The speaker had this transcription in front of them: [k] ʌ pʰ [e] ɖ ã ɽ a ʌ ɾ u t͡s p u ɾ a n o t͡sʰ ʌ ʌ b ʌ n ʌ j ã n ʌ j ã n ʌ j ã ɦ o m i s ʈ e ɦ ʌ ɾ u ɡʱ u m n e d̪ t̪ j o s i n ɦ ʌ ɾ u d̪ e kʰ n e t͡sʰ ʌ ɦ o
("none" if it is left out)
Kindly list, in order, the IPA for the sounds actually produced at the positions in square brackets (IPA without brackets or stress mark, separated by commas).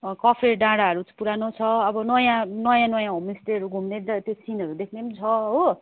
k, e